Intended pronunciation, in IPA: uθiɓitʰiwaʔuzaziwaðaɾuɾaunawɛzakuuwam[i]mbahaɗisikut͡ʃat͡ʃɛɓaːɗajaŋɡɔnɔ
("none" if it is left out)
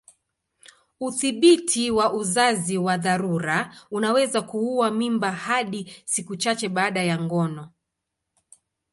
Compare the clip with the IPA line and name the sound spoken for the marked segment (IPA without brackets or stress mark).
i